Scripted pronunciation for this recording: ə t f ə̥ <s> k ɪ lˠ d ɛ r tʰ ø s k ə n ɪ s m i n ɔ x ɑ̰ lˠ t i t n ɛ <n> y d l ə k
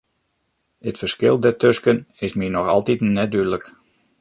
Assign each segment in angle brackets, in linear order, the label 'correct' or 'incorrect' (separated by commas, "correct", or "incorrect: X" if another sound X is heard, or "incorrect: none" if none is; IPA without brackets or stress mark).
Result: correct, incorrect: d